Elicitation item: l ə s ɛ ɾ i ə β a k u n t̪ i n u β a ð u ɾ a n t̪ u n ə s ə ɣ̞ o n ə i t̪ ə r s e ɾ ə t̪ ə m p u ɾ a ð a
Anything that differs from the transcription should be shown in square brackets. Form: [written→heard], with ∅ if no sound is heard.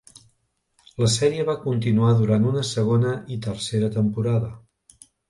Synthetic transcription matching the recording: l ə s ɛ ɾ i ə β a k u n t̪ i n u [β→∅] a ð u ɾ a n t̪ u n ə s ə ɣ̞ o n ə i t̪ ə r s e ɾ ə t̪ ə m p u ɾ a ð [a→ə]